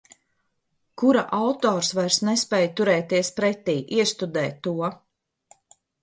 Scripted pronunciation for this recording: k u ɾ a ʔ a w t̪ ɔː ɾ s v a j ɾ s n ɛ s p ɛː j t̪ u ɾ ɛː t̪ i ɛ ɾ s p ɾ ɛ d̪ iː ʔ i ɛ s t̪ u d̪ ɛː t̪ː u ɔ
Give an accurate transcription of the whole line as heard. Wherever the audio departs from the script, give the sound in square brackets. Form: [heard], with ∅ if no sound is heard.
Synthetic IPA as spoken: k u ɾ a ʔ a w t̪ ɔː ɾ s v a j ɾ s n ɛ s p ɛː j t̪ u ɾ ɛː t̪ i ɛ [∅] s p ɾ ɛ [t̪] iː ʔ i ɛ s t̪ u d̪ ɛː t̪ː u ɔ